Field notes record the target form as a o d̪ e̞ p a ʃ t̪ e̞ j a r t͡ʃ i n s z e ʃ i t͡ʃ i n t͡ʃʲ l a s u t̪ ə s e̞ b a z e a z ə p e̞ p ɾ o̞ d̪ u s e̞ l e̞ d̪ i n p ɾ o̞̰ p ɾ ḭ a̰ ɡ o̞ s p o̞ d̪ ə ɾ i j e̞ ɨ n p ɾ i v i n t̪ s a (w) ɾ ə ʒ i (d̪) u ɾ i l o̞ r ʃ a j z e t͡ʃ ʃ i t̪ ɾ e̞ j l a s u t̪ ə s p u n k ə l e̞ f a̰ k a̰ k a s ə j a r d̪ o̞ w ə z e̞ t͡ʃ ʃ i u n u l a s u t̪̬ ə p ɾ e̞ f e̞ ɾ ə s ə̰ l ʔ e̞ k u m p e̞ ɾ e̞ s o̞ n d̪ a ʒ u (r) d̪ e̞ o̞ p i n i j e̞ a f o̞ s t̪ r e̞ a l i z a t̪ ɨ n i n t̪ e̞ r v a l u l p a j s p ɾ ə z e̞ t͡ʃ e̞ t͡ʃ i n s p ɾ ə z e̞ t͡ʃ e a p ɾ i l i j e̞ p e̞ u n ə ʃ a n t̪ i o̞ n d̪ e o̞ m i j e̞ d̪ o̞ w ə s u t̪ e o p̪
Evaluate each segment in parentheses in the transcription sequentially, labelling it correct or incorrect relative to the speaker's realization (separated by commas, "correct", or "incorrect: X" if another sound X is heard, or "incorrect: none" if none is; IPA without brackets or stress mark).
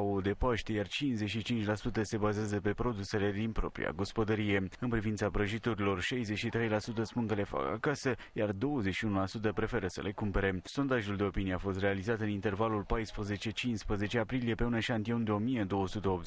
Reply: incorrect: b, incorrect: t̪, incorrect: l